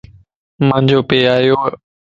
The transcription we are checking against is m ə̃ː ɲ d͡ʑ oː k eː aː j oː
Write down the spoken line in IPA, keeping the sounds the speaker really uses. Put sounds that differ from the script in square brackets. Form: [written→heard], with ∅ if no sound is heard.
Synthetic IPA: m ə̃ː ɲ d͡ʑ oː [k→p] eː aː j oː